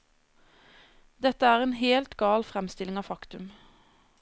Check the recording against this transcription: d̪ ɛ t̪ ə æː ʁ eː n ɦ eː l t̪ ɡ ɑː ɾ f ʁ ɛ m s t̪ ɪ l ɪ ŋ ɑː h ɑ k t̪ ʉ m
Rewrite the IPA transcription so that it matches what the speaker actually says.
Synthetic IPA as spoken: d̪ ɛ t̪ ə æː ʁ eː n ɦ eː l t̪ ɡ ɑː l f ʁ ɛ m s t̪ ɪ l ɪ ŋ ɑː f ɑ k t̪ ʉ m